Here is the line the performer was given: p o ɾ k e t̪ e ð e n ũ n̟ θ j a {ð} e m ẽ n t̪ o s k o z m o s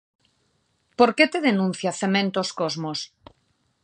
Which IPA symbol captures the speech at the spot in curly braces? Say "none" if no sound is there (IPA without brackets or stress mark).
θ